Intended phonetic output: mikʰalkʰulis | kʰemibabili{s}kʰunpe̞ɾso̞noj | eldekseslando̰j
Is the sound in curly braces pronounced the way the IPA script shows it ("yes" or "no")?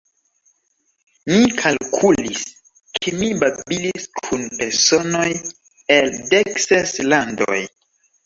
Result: yes